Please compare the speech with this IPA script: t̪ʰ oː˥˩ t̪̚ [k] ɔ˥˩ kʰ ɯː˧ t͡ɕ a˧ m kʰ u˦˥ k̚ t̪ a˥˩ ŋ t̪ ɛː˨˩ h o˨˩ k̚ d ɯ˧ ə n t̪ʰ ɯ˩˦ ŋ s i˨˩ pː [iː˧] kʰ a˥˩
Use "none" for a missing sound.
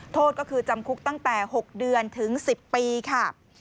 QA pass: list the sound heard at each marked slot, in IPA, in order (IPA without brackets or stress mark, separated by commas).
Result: k, iː˧